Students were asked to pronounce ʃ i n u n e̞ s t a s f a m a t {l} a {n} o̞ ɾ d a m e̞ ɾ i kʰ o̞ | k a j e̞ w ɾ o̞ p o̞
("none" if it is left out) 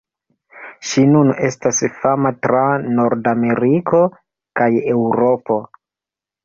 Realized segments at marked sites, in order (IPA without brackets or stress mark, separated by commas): ɾ, n